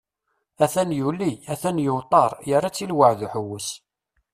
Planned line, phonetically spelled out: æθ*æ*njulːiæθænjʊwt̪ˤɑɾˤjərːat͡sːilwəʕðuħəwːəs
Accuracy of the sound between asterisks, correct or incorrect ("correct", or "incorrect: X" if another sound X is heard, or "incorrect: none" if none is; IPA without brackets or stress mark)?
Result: correct